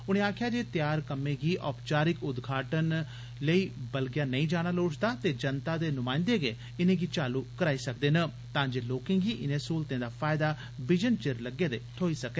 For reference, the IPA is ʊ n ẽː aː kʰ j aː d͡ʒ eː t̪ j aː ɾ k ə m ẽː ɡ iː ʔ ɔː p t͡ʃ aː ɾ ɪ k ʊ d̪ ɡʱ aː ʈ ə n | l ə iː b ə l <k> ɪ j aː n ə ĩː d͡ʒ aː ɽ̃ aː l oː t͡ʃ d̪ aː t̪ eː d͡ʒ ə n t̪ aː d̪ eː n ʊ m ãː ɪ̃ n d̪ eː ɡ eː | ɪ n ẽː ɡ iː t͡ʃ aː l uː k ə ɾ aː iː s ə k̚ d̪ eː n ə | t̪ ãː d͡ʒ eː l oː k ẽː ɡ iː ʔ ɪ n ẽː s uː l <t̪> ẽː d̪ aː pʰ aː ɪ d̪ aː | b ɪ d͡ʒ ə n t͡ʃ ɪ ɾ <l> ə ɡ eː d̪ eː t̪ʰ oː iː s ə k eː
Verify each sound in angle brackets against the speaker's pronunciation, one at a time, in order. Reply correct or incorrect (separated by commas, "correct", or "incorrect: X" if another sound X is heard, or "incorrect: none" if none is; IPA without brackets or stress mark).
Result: incorrect: ɡ, correct, correct